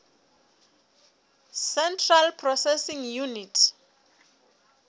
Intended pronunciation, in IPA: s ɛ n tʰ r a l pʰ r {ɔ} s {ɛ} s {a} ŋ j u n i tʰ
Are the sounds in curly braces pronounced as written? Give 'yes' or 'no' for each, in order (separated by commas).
yes, yes, no